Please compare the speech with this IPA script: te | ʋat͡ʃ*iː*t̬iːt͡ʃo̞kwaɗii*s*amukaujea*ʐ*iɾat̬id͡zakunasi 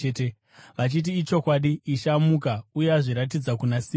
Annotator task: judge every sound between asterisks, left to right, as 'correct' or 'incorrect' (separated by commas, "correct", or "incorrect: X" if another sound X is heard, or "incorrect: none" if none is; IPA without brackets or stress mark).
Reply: incorrect: i, incorrect: ʃ, correct